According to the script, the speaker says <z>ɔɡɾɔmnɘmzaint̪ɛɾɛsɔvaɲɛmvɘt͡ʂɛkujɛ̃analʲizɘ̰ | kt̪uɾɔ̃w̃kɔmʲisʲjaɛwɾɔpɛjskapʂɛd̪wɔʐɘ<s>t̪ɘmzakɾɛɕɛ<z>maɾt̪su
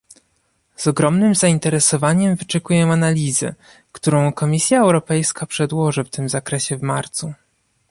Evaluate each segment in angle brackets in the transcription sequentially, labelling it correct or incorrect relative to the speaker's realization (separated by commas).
correct, incorrect, incorrect